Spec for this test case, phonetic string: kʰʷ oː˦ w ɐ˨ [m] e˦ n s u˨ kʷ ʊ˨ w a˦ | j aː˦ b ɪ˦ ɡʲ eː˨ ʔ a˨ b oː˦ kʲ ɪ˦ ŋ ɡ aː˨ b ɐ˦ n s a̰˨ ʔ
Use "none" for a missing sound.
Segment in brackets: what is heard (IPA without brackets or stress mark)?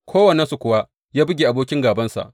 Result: n